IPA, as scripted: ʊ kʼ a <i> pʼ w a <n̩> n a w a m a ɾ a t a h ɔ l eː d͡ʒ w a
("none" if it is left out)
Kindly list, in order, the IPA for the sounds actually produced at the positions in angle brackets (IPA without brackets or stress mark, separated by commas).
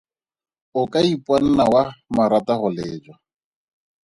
i, n̩